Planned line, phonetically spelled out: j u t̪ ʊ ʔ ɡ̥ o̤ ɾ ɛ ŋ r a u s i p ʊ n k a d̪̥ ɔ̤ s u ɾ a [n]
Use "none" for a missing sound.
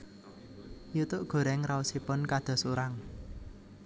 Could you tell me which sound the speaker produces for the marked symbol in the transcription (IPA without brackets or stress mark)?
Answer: ŋ